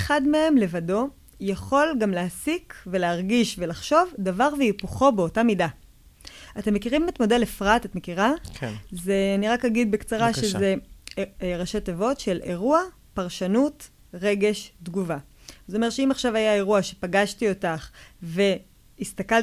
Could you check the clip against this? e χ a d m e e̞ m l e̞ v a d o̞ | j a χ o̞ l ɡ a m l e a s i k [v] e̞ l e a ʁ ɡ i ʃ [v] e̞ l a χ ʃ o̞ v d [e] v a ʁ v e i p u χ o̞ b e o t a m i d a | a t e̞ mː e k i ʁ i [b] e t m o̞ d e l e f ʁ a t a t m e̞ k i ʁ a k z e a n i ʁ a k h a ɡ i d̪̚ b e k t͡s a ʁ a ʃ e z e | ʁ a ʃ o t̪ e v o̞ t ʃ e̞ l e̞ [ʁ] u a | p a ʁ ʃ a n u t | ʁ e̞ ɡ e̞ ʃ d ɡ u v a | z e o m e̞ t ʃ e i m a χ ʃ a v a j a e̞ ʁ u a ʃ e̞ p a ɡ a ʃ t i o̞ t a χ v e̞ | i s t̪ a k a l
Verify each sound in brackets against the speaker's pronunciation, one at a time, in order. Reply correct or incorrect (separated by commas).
correct, correct, incorrect, incorrect, correct